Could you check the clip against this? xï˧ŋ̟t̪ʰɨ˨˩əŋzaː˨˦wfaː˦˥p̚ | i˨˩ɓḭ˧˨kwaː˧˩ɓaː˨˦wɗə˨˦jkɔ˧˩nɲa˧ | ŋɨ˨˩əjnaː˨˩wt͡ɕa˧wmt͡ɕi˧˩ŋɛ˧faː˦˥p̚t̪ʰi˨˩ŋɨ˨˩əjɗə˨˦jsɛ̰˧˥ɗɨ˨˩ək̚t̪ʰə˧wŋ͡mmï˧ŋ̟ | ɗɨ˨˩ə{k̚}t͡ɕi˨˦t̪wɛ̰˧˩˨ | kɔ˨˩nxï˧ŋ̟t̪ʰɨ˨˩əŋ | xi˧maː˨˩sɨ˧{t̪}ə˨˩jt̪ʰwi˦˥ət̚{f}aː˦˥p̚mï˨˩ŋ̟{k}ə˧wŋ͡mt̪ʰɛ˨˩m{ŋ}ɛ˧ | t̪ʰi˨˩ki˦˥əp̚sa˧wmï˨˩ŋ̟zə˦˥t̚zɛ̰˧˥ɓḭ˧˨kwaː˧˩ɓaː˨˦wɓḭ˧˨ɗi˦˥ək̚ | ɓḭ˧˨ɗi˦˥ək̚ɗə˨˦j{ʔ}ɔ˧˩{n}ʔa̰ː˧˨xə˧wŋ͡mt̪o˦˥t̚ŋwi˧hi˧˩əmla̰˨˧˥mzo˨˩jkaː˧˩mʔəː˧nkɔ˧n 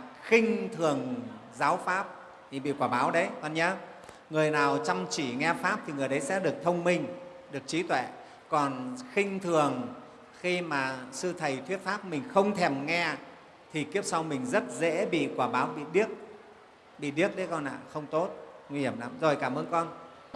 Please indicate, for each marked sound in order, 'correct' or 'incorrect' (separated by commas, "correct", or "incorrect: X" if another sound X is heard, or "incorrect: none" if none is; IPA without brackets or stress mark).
correct, incorrect: t̪ʰ, correct, incorrect: x, correct, incorrect: k, correct